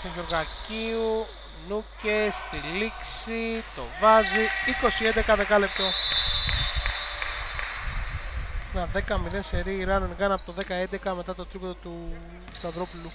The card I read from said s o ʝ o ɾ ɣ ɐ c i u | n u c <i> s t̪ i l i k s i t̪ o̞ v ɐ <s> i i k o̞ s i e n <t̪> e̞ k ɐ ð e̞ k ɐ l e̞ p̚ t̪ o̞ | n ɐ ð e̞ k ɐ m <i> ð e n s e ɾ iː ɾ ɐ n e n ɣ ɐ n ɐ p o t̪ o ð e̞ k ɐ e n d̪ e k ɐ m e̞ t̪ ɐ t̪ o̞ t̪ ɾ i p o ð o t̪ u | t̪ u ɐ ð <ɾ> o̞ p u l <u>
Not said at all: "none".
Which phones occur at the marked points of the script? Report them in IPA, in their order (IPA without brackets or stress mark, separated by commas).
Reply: e, z, d̪, i, ɾ, u